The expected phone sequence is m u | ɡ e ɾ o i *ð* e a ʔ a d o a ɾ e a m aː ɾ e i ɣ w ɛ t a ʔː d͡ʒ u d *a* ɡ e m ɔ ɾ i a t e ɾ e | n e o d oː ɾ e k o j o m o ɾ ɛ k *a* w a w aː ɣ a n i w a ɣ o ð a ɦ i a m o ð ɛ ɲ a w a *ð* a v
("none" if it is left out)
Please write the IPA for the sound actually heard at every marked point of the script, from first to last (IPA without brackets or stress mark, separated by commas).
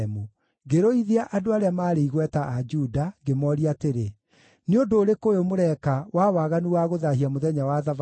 ð, a, a, ð